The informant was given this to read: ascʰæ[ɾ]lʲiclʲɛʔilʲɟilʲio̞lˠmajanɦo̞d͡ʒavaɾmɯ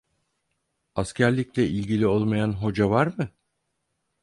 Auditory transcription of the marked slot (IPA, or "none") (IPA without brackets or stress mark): ɾ